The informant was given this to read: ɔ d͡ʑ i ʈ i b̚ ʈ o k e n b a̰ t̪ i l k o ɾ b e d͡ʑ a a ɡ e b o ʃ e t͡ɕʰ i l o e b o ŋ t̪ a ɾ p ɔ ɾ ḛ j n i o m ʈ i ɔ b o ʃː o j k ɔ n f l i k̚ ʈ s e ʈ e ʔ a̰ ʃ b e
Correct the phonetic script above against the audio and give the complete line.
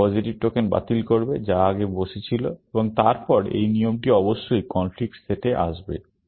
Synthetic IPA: ɔ d͡ʑ i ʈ i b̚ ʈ o k e n b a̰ t̪ i l k o ɾ b e d͡ʑ a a ɡ e b o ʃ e t͡ɕʰ i l o e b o ŋ t̪ a ɾ p ɔ ɾ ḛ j n i o m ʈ i ɔ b o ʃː o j k ɔ n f l i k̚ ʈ s e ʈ e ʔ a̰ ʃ b e